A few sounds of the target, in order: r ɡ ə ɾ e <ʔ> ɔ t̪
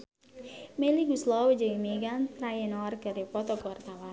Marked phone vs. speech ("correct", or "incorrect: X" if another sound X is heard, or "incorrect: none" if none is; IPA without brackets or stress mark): incorrect: p